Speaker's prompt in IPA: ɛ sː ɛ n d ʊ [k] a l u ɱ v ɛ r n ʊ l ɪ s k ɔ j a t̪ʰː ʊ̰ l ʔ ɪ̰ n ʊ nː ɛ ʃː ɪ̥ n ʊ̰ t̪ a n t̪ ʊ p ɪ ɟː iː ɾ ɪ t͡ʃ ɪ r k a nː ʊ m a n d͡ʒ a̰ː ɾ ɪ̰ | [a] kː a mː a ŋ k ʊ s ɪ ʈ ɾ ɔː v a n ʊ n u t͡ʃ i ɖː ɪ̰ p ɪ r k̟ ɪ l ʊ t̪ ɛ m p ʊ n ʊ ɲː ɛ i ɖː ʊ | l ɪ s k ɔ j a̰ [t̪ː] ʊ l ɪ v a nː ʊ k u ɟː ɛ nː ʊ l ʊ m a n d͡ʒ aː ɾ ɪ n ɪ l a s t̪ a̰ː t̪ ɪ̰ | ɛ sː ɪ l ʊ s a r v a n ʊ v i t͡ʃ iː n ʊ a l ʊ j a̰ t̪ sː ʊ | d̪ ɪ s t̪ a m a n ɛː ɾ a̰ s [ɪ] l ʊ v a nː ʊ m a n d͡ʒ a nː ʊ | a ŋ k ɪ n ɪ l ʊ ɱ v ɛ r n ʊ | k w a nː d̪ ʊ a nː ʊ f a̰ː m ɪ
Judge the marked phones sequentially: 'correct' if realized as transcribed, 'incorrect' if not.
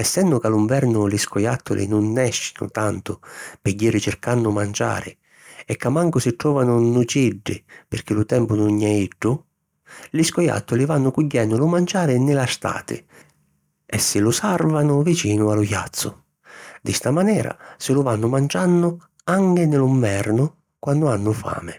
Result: correct, incorrect, correct, correct

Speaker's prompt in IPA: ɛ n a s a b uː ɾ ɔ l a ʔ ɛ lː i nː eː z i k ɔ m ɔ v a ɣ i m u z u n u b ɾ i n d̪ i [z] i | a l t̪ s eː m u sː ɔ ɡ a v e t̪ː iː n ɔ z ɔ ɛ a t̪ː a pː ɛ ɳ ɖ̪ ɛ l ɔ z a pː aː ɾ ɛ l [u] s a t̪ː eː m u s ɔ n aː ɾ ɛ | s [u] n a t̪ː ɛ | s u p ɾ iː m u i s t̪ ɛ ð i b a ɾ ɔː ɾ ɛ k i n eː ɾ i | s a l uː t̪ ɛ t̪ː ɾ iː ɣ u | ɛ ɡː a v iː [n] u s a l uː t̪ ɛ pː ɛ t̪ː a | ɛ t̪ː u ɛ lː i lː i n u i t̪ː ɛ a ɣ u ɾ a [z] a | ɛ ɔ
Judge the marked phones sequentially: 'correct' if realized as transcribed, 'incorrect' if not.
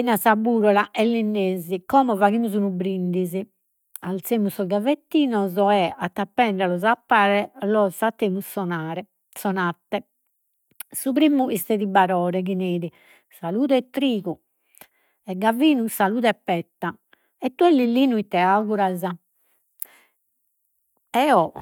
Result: correct, incorrect, incorrect, correct, correct

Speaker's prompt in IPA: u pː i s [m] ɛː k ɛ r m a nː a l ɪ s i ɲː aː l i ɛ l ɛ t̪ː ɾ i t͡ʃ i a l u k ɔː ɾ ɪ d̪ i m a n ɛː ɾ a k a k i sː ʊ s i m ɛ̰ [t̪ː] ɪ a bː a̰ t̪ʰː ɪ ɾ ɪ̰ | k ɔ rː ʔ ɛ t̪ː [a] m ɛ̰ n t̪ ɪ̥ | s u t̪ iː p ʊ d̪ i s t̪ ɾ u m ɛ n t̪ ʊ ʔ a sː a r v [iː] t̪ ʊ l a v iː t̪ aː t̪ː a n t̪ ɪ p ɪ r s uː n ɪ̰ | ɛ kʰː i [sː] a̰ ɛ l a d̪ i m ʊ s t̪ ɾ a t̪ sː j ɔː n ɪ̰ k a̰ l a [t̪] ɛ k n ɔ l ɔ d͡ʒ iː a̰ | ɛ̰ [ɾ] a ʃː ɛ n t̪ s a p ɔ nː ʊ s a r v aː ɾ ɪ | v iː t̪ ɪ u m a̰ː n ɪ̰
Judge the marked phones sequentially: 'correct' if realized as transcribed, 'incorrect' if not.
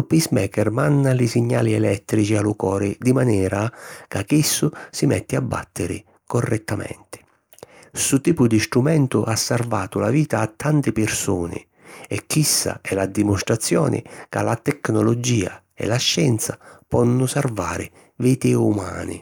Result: correct, correct, correct, incorrect, correct, correct, incorrect

